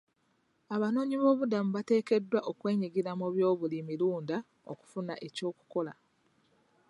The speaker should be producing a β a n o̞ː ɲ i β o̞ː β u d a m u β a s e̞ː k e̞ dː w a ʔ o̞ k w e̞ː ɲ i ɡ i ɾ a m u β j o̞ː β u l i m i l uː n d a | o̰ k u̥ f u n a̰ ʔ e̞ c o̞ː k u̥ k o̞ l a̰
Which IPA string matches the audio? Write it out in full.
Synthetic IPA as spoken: a β a n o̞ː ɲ i β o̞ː β u d a m u β a t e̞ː k e̞ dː w a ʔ o̞ k w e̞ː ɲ i ɡ i ɾ a m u β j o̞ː β u l i m i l uː n d a | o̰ k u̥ f u n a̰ ʔ e̞ c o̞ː k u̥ k o̞ l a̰